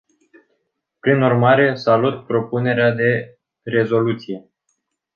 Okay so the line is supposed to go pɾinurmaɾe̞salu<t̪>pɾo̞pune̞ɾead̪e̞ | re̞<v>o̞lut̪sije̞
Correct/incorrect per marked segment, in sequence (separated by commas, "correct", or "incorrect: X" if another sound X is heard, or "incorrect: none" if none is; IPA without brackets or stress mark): correct, incorrect: z